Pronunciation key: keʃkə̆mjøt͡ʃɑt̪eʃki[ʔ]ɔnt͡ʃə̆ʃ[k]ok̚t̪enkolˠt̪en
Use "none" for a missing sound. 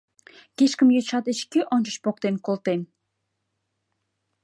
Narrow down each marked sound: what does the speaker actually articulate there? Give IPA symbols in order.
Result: ʔ, p

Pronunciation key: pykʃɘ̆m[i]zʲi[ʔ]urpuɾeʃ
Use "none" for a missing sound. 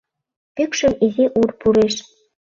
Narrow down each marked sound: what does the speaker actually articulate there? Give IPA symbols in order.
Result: i, ʔ

